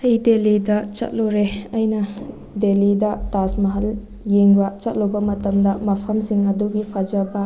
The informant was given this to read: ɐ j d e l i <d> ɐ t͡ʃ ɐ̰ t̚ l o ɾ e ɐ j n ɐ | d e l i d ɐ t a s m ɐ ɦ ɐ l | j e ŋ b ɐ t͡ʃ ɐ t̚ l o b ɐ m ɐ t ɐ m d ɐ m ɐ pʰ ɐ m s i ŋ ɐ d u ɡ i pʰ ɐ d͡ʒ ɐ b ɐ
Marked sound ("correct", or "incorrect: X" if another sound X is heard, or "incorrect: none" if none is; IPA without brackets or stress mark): correct